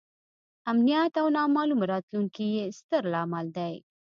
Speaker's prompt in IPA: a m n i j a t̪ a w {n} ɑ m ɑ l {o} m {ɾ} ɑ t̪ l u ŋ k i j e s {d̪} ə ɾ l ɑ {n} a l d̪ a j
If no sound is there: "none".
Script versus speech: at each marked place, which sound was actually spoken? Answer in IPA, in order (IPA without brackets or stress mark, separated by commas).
n, u, ɾ, t̪, m